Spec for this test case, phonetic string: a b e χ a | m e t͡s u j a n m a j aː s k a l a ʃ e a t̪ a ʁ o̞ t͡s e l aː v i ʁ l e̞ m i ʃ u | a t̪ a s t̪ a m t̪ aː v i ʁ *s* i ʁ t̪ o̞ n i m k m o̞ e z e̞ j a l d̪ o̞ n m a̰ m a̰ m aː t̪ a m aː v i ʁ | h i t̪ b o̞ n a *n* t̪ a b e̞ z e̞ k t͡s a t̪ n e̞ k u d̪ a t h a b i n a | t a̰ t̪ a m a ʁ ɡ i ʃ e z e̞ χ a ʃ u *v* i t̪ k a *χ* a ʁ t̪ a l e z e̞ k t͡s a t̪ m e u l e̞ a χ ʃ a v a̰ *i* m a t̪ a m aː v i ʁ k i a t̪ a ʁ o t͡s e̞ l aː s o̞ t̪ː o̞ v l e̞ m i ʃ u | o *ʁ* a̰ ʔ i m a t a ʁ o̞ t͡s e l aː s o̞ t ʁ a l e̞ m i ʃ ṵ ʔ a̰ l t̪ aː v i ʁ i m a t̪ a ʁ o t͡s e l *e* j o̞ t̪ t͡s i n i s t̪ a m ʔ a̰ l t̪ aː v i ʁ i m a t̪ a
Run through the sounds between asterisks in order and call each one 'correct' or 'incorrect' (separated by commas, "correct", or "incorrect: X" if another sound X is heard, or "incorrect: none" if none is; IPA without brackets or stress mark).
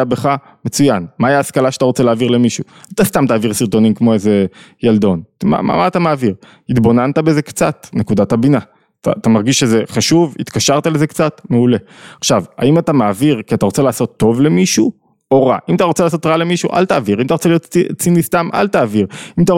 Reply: correct, correct, correct, incorrect: ʃ, correct, correct, incorrect: i